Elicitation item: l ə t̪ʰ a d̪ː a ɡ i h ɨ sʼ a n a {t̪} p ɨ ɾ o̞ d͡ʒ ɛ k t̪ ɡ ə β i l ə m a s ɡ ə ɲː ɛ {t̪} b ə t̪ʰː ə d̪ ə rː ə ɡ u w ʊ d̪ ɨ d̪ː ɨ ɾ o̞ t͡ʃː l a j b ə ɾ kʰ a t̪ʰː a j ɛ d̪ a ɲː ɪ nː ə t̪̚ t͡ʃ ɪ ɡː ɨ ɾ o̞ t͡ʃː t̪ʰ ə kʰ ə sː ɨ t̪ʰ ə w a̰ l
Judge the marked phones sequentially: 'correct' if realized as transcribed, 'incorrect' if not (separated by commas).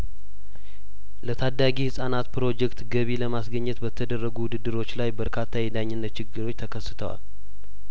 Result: correct, correct